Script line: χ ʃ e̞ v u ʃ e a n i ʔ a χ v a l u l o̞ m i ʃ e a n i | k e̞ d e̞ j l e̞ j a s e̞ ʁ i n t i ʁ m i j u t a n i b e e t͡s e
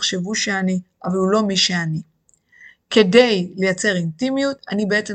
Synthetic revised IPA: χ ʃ e̞ v u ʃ e a n i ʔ a v a l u l o̞ m i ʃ e a n i | k e̞ d e̞ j l e̞ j a t͡s e̞ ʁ i n t i m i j u t a n i b e e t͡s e